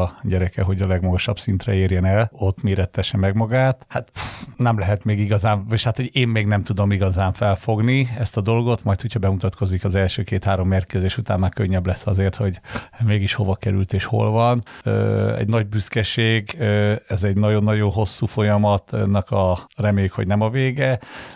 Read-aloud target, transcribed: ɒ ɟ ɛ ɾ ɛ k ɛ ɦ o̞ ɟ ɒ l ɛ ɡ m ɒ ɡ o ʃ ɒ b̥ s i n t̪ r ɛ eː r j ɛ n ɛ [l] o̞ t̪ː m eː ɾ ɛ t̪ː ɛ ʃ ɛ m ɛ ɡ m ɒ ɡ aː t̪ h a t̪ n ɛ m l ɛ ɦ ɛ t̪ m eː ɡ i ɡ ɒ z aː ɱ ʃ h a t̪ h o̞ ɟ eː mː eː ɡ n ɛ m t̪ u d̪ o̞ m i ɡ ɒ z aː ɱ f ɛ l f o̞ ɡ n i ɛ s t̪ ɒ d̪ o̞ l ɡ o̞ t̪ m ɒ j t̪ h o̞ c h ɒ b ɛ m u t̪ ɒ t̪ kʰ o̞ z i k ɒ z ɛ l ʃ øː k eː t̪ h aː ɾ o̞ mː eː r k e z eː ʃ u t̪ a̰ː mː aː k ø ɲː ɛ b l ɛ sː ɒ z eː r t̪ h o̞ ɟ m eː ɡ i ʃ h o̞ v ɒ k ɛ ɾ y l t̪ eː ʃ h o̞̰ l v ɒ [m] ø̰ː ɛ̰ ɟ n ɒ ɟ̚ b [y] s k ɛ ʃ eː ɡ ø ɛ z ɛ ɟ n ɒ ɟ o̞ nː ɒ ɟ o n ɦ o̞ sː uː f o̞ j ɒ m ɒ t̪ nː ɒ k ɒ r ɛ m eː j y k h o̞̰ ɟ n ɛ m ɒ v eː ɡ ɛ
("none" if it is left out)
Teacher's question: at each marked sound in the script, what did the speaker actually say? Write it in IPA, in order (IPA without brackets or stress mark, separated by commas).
l, n, y